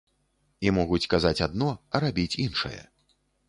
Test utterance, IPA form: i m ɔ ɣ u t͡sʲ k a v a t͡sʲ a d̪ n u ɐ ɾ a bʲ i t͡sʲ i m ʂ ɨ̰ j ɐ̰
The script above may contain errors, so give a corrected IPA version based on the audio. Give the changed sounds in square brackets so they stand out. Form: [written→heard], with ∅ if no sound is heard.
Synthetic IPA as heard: i m ɔ ɣ u t͡sʲ k a [v→z] a t͡sʲ a d̪ n [u→ɔ] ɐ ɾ a bʲ i t͡sʲ i [m→n] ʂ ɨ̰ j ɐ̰